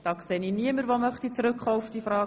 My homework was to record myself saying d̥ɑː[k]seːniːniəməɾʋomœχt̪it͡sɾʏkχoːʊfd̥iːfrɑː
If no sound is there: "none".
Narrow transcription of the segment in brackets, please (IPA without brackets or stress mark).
k